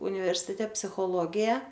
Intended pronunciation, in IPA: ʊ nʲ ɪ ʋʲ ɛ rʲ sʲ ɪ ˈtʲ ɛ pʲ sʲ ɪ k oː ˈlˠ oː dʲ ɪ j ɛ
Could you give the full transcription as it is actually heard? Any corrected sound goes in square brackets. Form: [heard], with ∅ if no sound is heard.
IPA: ʊ nʲ ɪ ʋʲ ɛ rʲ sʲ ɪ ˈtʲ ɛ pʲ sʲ ɪ [x] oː ˈlˠ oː [ɡʲ] ɪ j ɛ